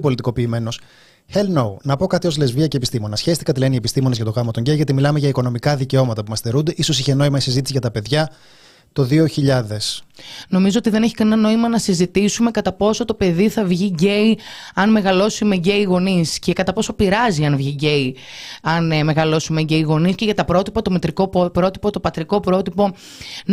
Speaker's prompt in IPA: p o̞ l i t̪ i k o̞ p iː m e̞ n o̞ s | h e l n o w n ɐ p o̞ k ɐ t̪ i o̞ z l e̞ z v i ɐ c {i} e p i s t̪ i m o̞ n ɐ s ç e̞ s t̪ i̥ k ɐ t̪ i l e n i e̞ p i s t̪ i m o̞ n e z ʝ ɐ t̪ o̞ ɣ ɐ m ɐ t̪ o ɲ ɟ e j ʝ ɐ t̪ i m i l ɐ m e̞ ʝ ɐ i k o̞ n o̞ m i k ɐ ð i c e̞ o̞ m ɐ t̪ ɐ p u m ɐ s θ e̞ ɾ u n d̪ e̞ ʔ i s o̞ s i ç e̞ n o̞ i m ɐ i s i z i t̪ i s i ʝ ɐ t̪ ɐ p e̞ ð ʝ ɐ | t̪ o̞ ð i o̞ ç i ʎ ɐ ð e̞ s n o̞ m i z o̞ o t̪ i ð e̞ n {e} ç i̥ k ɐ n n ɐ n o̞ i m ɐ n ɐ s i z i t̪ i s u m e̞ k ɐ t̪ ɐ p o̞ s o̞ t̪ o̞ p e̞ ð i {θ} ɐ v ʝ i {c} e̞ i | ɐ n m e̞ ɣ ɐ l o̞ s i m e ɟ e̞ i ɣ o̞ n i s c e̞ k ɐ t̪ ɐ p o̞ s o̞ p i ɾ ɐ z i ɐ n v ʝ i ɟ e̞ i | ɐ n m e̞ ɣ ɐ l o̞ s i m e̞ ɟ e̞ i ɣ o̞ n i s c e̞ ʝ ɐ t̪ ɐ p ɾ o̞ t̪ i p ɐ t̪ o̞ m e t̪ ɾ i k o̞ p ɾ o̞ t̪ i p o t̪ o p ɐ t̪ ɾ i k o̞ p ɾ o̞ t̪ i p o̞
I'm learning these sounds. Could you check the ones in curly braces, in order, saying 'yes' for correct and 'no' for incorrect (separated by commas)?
no, yes, yes, no